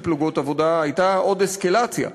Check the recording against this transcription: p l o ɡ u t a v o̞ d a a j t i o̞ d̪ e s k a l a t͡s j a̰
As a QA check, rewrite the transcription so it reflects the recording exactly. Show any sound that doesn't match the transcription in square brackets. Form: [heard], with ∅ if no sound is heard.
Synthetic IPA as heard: p l [u] ɡ [o] t a v o̞ d a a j t [a] o̞ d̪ e s k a l a t͡s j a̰